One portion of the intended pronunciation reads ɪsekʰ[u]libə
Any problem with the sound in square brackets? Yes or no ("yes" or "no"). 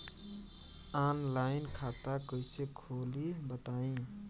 yes